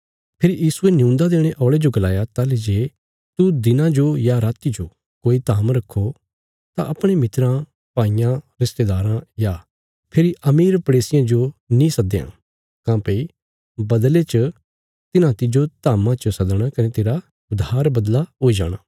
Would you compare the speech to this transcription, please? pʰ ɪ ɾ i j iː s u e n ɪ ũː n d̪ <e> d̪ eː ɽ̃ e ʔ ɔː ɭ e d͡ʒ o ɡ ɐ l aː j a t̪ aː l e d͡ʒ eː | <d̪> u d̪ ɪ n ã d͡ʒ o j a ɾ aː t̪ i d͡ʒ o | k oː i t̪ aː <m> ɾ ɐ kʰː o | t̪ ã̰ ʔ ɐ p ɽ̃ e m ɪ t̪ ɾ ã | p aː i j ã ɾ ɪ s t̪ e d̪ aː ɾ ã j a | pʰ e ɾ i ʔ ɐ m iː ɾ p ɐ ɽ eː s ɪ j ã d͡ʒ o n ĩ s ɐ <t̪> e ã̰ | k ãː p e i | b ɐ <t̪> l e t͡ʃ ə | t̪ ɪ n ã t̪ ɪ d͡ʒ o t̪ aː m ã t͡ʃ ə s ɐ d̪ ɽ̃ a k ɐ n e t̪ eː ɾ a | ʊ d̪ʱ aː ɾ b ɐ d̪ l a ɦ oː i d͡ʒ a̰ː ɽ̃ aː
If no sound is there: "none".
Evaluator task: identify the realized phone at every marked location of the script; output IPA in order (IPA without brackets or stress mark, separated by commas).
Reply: a, t̪, m, d̪, d̪